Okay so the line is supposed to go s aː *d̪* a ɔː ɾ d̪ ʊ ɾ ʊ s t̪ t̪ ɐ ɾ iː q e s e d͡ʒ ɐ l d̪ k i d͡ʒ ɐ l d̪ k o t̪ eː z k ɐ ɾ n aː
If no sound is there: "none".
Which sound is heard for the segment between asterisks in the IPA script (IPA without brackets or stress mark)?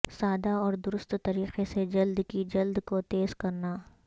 d̪